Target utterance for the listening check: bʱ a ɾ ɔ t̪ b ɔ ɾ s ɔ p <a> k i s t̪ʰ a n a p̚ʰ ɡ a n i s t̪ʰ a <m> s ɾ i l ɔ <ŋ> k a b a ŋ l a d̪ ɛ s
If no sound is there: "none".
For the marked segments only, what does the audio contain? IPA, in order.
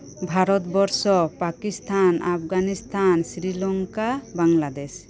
a, n, ŋ

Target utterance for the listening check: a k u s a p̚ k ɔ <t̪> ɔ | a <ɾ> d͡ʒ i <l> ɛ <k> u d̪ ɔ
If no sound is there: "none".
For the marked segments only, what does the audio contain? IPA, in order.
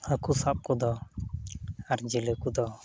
d̪, ɾ, l, k

